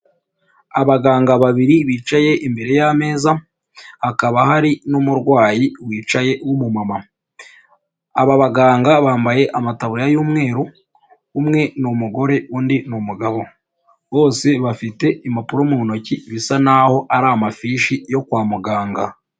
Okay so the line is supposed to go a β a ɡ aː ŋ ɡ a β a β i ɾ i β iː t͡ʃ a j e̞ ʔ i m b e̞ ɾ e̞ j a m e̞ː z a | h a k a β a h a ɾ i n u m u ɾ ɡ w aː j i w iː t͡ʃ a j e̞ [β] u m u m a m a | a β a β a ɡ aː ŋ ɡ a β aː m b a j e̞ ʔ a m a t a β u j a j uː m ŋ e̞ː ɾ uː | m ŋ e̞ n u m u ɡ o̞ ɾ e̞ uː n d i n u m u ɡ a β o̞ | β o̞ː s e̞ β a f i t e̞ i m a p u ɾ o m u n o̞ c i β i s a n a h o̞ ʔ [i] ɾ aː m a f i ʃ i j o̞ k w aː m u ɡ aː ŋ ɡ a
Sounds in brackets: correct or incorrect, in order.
incorrect: w, incorrect: a

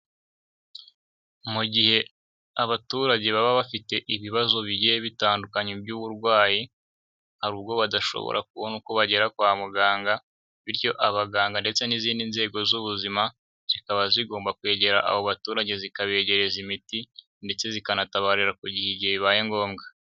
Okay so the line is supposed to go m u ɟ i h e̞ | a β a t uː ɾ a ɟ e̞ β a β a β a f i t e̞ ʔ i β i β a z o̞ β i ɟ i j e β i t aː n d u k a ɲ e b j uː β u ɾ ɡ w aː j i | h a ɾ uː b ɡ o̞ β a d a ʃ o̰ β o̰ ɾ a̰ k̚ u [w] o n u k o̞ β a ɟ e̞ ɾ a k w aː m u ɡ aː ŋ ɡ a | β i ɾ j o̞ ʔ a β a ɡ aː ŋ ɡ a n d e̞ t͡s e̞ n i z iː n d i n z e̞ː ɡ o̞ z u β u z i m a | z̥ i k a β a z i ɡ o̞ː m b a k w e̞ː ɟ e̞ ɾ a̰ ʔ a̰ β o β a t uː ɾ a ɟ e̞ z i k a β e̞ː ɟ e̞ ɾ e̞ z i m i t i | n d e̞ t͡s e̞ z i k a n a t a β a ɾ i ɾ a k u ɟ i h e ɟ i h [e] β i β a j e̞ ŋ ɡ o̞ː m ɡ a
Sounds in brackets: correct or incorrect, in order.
incorrect: β, correct

